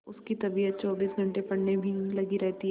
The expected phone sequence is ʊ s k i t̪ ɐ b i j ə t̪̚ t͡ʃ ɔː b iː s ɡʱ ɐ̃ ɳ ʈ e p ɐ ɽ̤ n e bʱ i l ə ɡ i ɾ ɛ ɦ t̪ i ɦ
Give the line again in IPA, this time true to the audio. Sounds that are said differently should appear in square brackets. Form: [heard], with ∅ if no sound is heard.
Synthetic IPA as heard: ʊ s k i t̪ ɐ b i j ə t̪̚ t͡ʃ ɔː b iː s ɡʱ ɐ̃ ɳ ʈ e p ɐ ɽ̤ n e bʱ i l [ɐ] ɡ i ɾ ɛ ɦ t̪ i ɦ